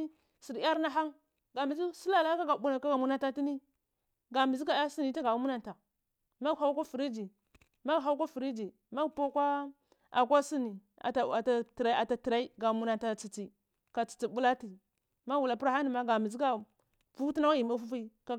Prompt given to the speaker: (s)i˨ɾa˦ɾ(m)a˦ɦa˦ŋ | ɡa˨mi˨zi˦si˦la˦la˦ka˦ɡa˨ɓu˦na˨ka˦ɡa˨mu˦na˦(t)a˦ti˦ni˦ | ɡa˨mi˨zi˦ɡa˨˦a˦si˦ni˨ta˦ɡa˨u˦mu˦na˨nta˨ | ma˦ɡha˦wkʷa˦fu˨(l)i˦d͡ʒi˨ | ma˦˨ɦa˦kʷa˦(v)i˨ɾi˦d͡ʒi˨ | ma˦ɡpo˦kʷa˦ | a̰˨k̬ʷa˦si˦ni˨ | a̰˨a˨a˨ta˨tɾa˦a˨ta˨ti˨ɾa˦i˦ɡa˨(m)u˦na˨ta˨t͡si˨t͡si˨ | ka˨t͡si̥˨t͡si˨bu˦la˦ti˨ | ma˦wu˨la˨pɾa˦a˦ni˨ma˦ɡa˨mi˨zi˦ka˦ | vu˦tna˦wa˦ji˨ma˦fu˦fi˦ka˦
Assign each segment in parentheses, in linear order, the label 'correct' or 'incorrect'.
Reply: correct, incorrect, correct, incorrect, incorrect, correct

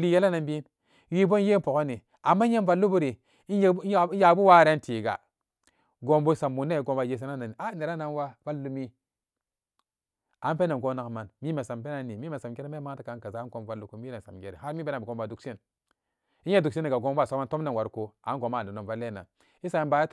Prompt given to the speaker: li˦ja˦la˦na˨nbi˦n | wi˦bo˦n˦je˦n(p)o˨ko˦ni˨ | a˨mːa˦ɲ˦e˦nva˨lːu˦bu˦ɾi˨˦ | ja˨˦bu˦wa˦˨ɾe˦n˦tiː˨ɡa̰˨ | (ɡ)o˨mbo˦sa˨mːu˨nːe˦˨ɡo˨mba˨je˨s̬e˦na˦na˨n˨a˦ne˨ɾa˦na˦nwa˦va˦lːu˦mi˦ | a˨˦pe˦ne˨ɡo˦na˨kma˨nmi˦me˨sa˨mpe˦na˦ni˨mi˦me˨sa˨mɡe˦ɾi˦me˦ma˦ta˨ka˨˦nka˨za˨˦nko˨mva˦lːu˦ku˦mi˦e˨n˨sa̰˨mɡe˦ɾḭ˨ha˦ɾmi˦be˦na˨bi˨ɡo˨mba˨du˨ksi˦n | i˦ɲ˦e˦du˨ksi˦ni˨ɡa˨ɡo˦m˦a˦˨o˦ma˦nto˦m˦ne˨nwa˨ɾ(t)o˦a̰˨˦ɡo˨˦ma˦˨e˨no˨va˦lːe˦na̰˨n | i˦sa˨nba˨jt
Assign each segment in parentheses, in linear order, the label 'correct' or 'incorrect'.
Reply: correct, correct, incorrect

